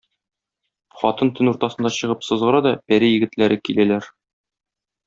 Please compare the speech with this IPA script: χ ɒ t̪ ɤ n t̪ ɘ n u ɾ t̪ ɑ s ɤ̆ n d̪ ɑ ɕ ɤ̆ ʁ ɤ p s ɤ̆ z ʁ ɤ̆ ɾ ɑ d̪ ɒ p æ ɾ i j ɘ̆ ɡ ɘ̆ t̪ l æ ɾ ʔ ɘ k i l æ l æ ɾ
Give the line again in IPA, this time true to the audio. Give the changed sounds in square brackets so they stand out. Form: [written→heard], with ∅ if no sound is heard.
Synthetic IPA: χ ɒ t̪ ɤ n t̪ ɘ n u ɾ t̪ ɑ s ɤ̆ n d̪ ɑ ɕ ɤ̆ ʁ ɤ p s ɤ̆ z ʁ ɤ̆ ɾ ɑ d̪ ɒ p æ ɾ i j ɘ̆ ɡ ɘ̆ t̪ l æ ɾ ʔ ɘ k i l æ l æ ɾ